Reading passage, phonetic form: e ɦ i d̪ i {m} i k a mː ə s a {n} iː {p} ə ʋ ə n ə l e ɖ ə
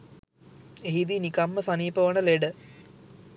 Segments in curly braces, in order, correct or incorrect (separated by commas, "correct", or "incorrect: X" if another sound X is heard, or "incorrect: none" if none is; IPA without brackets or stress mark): incorrect: n, correct, correct